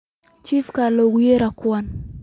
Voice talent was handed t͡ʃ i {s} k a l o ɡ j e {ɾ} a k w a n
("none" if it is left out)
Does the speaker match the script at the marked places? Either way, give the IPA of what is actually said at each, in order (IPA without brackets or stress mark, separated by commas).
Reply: f, ɾ